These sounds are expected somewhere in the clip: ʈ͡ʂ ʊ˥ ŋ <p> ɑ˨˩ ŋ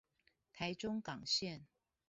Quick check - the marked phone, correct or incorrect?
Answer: incorrect